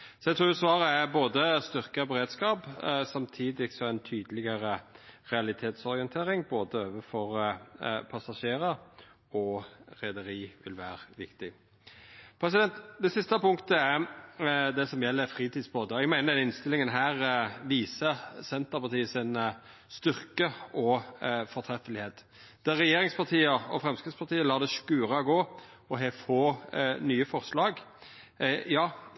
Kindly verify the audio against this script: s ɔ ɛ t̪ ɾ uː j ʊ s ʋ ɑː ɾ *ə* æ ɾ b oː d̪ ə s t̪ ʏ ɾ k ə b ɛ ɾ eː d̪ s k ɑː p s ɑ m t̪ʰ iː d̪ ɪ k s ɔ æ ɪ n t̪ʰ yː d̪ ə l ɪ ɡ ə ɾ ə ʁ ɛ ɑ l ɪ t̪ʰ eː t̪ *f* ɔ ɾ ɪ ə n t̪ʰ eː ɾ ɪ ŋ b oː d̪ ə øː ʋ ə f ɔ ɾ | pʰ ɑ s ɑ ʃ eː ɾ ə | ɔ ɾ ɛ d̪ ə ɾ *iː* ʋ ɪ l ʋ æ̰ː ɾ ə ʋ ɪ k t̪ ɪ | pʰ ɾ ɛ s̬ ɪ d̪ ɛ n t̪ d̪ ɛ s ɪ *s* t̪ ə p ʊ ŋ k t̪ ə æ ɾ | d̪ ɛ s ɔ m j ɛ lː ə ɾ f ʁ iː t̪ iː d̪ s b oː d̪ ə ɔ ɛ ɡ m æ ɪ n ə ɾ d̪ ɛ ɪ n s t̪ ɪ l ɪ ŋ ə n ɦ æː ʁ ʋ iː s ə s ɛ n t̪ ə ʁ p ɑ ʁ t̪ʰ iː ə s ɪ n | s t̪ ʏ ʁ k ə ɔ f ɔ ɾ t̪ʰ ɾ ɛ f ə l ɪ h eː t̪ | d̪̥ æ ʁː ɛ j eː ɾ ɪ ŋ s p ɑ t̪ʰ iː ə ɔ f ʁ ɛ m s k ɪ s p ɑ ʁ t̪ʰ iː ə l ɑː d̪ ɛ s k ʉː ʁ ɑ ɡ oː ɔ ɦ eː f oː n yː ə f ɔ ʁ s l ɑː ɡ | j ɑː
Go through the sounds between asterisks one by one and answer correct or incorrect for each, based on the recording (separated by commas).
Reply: correct, incorrect, correct, correct